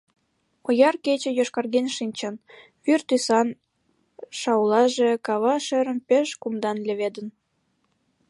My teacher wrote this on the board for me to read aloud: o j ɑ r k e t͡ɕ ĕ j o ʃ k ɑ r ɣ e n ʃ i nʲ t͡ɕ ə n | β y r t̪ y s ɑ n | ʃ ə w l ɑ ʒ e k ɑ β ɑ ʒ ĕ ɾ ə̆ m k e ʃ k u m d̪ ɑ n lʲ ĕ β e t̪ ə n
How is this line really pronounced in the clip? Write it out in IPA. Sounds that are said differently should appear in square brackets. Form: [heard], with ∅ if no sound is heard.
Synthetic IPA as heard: o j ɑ r k e t͡ɕ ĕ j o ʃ k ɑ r ɣ e n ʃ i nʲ t͡ɕ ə n | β y r t̪ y s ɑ n | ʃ [ɑ] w l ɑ ʒ e k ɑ β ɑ [ʃ] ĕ ɾ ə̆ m [p] e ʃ k u m d̪ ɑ n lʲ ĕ β e [d̪] ə n

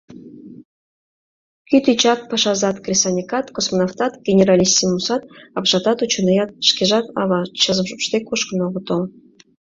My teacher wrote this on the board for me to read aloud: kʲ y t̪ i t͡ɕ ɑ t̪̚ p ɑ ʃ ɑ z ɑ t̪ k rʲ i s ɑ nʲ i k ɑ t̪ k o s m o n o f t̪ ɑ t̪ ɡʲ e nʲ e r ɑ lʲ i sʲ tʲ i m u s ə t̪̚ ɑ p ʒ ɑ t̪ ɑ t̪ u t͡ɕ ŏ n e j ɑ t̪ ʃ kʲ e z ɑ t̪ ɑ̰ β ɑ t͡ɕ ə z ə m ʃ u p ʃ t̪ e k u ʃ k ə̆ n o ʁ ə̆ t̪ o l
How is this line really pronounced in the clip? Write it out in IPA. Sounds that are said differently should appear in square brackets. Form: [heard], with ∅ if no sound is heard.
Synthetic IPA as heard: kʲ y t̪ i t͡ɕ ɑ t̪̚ p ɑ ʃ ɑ z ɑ t̪ k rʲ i s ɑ nʲ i k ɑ t̪ k o s m o n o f t̪ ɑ t̪ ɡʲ e nʲ e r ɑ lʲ i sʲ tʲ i m u s [ɑ] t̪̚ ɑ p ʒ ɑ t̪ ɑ t̪ u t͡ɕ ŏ n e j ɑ t̪ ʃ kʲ e [ʒ] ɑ t̪ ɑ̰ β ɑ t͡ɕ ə z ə m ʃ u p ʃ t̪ e k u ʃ k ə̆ n o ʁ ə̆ t̪ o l

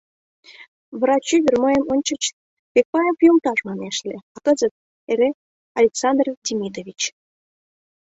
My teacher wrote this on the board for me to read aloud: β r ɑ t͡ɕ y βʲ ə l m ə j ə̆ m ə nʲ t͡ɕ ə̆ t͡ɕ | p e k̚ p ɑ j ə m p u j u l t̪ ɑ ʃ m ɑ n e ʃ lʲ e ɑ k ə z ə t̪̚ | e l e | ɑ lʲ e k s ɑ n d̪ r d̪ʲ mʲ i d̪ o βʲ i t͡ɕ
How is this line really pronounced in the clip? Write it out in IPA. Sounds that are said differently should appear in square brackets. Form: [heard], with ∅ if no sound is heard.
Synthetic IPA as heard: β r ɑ t͡ɕ y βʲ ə [r] m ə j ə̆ m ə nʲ t͡ɕ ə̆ t͡ɕ | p e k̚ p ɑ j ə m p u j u l t̪ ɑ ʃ m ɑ n e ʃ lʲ e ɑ k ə z ə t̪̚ | e [ɾ] e | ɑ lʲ e k s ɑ n d̪ r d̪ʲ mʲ i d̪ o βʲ i t͡ɕ

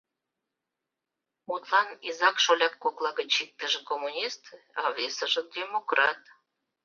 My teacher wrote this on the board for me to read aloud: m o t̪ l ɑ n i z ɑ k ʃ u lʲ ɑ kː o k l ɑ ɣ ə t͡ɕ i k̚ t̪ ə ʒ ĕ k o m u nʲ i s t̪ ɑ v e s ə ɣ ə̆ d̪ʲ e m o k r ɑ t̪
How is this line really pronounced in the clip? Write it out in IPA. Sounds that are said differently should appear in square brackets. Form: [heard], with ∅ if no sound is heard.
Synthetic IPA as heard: m [u] t̪ l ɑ n i z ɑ k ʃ [o] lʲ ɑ kː o k l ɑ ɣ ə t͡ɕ i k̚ t̪ ə ʒ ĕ k o m u nʲ i s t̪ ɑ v e s ə [ʒ] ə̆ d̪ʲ e m o k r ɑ t̪

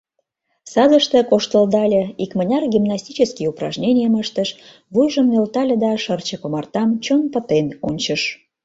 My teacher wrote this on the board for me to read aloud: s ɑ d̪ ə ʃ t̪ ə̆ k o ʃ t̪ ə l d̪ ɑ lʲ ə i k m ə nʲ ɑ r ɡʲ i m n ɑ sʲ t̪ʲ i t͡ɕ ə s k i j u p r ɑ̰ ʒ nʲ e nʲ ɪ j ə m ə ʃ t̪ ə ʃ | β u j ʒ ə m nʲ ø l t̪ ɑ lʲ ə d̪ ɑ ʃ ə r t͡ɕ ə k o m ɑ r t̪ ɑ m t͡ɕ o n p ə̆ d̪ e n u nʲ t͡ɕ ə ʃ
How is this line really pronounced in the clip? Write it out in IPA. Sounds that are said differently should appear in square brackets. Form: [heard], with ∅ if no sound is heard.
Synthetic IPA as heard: s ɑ d̪ ə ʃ t̪ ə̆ k o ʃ t̪ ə l d̪ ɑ lʲ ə i k m ə nʲ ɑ r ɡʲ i m n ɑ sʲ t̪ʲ i t͡ɕ ə s k i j u p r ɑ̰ ʒ nʲ e nʲ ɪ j ə m ə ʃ t̪ ə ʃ | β u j ʒ ə m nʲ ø l t̪ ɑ lʲ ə d̪ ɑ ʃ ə r t͡ɕ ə k o m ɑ r t̪ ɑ m t͡ɕ o n p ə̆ [t̪] e n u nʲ t͡ɕ ə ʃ

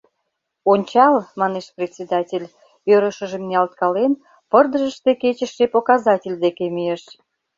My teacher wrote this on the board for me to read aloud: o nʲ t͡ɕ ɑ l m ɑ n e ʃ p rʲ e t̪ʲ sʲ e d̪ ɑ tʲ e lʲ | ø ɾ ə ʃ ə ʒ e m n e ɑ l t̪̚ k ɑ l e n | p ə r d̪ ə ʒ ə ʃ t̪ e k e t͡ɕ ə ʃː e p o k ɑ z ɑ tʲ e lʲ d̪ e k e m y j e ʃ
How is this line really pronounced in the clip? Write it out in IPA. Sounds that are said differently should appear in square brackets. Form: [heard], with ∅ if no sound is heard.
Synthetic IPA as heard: o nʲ t͡ɕ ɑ l m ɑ n e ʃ p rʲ e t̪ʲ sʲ e d̪ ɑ tʲ e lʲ | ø ɾ ə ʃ ə ʒ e m n e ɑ l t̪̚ k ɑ l e n | p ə r d̪ ə ʒ ə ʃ t̪ e k e t͡ɕ ə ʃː e p o k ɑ z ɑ tʲ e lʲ d̪ e k e m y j e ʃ

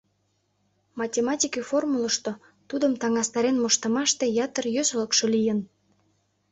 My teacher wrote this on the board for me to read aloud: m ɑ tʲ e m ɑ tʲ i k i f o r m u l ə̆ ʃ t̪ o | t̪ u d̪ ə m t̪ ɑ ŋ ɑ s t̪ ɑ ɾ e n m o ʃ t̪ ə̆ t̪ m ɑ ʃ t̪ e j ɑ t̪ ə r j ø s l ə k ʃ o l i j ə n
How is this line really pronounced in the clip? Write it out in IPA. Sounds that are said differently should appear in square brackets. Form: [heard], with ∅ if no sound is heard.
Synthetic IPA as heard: m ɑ tʲ e m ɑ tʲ i k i f o r m u l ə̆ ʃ t̪ o | t̪ u d̪ ə m t̪ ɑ ŋ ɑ s t̪ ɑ ɾ e n m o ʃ t̪ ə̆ [∅] m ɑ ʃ t̪ e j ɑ t̪ ə r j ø s l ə k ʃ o l i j ə n

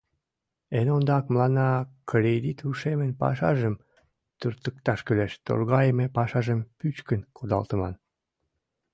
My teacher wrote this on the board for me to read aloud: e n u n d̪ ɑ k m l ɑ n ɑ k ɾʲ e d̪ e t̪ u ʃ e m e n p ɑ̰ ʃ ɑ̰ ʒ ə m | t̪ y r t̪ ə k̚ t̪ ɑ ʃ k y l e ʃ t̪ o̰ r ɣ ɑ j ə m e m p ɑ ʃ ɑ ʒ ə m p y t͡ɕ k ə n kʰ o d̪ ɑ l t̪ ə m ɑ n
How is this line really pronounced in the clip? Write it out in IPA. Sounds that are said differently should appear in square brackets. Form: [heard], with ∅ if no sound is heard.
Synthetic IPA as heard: e n [o] n d̪ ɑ k m l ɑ n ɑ k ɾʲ e d̪ [i] t̪ u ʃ e m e n p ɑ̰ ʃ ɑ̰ ʒ ə m | t̪ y r t̪ ə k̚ t̪ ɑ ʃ k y l e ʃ t̪ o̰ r ɣ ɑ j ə m e [∅] p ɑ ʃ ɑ ʒ ə m p y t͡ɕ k ə n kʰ o d̪ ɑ l t̪ ə m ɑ n

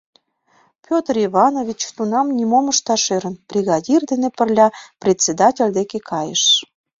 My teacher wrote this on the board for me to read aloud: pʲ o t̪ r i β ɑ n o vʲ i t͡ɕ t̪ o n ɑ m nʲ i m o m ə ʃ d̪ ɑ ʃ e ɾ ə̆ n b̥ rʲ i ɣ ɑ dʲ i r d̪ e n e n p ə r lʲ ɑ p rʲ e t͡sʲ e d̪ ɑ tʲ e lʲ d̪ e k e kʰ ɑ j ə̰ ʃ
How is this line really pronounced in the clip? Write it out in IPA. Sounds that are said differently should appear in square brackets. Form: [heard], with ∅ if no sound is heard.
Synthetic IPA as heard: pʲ o t̪ r i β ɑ n o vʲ i t͡ɕ t̪ [u] n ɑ m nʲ i m o m ə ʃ [t̪] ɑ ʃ e ɾ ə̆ n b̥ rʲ i ɣ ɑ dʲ i r d̪ e n e [∅] p ə r lʲ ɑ p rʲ e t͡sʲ e d̪ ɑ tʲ e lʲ d̪ e k e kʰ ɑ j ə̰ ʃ

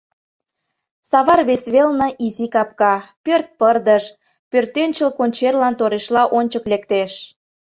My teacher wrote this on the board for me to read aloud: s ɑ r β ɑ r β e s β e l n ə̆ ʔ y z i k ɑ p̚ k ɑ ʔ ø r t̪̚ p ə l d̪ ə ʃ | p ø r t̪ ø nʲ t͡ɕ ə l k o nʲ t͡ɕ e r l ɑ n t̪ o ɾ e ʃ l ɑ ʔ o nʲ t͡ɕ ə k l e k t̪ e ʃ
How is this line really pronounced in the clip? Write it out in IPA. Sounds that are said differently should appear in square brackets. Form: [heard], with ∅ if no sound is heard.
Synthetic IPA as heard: s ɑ [∅] β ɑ r β e s β e l n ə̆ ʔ [i] z i k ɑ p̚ k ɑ [p] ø r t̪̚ p ə [r] d̪ ə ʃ | p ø r t̪ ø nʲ t͡ɕ ə l k o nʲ t͡ɕ e r l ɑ n t̪ o ɾ e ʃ l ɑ ʔ o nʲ t͡ɕ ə k l e k t̪ e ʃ

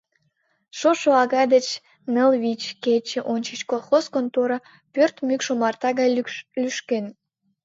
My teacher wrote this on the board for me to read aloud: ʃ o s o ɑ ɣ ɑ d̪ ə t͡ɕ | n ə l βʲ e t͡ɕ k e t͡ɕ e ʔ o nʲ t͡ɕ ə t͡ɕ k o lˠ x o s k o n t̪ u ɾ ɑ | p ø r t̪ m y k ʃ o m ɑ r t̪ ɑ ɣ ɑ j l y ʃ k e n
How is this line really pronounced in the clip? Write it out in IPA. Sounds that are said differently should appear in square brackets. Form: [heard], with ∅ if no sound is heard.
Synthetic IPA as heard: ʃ o [ʃ] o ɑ ɣ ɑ d̪ ə t͡ɕ | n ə l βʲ [i] t͡ɕ k e t͡ɕ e ʔ o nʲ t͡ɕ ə t͡ɕ k o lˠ x o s k o n t̪ [o] ɾ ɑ | p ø r t̪ m y k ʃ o m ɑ r t̪ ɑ ɣ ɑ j l y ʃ k e n

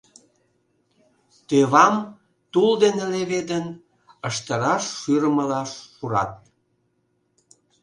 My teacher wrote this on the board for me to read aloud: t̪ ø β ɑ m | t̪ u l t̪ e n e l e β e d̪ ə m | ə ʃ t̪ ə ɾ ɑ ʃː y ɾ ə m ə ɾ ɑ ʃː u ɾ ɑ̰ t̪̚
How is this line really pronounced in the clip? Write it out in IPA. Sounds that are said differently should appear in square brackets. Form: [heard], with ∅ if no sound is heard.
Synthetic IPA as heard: t̪ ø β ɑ m | t̪ u l [d̪] e n e l e β e d̪ ə [n] | ə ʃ t̪ ə ɾ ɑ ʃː y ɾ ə m ə [l] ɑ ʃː u ɾ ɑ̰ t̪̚

